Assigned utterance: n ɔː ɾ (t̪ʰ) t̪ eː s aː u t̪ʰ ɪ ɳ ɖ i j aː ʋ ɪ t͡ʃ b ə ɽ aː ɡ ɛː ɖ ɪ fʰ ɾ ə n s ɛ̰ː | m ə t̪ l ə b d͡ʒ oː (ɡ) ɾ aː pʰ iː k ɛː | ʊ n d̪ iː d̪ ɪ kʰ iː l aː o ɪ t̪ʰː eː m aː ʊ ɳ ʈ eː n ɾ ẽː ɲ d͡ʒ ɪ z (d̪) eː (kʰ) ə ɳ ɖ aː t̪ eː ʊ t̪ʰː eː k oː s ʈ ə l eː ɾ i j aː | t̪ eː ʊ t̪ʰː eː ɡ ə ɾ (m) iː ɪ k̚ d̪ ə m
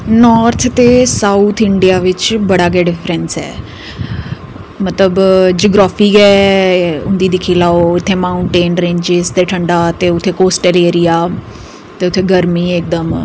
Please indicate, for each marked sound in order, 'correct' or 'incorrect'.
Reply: correct, correct, incorrect: t̪, incorrect: ʈʰ, correct

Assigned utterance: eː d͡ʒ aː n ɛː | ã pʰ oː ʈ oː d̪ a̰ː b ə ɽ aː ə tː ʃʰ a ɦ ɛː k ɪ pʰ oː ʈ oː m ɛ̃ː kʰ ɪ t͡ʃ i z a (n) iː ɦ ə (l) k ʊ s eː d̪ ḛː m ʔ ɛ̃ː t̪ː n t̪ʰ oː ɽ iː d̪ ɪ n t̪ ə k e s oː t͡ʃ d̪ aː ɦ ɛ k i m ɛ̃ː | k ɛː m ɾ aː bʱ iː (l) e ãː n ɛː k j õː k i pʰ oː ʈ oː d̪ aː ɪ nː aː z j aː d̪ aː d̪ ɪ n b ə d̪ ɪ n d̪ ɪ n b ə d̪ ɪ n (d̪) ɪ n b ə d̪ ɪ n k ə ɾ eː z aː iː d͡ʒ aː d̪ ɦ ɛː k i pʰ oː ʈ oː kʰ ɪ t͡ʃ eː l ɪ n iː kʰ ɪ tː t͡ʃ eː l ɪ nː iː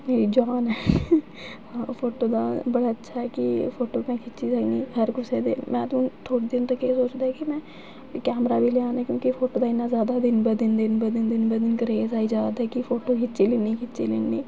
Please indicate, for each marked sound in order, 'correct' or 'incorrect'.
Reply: correct, incorrect: ɾ, correct, correct

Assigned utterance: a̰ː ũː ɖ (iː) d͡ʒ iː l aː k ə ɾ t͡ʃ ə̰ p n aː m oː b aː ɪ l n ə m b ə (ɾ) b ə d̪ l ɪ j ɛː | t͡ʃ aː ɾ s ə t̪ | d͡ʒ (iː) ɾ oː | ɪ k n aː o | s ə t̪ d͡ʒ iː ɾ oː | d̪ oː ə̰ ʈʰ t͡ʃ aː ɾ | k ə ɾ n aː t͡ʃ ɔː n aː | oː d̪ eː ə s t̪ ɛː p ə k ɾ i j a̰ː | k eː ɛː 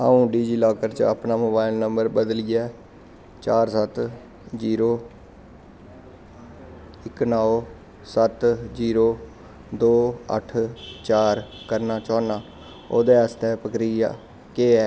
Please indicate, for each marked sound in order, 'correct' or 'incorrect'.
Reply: correct, correct, correct

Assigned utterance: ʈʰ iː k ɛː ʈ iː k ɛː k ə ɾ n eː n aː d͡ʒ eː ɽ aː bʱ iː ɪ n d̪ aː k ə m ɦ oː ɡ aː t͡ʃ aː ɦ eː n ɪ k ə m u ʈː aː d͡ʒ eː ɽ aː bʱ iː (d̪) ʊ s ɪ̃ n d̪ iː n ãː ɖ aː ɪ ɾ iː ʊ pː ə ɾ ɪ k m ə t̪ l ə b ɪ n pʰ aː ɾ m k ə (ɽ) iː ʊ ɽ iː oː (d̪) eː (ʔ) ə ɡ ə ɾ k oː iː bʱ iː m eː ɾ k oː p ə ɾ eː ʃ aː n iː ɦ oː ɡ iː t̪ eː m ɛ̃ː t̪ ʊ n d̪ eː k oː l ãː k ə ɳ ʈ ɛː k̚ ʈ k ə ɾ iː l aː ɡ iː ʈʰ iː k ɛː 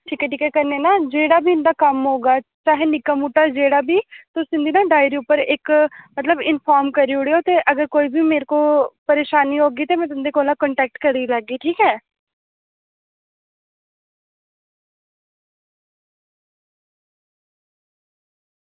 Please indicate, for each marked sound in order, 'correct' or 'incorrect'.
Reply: incorrect: t̪, incorrect: ɾ, incorrect: t̪, correct

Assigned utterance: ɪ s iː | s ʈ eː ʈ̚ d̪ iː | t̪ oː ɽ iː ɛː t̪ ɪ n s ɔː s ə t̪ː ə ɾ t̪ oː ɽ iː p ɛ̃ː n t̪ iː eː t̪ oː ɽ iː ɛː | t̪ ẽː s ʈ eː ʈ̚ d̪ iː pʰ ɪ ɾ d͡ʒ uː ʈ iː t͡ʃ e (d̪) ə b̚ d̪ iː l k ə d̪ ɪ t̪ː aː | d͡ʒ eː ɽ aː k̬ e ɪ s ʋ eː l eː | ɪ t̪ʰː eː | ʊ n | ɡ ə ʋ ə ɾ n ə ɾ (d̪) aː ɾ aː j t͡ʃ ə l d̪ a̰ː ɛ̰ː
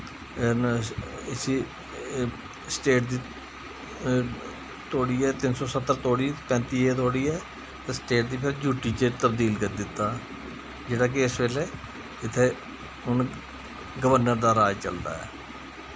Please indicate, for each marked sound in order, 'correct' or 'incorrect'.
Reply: incorrect: t̪, correct

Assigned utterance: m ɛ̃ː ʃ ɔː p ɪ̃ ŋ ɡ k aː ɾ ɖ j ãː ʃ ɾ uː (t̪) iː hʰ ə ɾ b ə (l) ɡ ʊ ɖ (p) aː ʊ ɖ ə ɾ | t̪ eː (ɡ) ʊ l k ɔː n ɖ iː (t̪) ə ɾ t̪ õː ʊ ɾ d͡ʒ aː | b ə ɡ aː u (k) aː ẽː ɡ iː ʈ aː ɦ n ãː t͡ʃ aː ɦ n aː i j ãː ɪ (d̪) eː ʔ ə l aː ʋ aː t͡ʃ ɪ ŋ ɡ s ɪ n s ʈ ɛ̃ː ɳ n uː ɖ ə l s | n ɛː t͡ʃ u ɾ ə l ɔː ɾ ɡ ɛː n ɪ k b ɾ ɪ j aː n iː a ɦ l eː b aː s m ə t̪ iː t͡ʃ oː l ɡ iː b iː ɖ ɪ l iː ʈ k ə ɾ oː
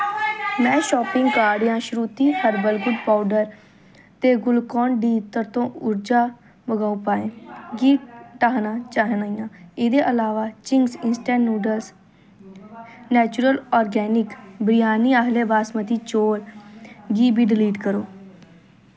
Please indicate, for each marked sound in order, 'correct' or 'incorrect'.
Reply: correct, correct, correct, correct, correct, incorrect: p, correct

